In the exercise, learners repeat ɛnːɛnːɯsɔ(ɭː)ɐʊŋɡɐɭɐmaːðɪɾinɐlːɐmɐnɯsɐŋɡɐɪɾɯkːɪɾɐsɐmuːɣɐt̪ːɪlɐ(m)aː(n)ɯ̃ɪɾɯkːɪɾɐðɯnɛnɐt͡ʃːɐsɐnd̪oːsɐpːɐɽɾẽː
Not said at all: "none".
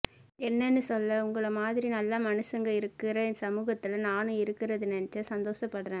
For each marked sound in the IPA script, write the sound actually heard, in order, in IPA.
lː, n, n

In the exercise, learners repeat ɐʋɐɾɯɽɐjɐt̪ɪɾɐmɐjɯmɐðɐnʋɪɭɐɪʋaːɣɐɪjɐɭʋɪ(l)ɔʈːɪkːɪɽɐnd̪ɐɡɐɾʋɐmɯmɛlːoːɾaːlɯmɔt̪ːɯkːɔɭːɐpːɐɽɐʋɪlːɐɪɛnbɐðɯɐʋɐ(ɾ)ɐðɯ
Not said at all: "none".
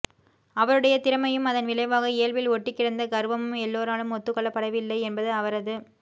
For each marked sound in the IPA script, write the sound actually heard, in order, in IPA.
l, ɾ

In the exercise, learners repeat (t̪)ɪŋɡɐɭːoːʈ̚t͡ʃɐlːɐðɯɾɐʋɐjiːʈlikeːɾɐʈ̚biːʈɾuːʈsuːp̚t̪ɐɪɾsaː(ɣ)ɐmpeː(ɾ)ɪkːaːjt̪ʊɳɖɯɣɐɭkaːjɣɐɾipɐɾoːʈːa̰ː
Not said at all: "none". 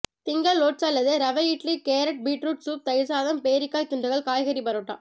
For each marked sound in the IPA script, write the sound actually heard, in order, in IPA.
t̪, ð, ɾ

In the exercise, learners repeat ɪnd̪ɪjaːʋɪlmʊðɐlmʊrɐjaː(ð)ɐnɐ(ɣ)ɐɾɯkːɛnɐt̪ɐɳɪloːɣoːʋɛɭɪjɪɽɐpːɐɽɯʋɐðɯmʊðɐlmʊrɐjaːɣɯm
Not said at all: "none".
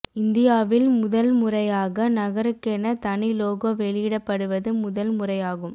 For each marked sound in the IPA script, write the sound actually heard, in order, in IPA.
ɣ, ɣ

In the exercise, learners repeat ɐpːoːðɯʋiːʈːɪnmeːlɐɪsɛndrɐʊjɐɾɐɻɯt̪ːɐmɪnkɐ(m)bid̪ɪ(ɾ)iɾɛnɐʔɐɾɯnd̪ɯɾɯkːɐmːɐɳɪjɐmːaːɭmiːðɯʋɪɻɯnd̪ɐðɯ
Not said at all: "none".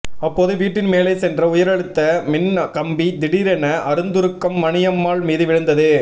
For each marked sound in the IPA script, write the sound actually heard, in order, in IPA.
m, ɽ

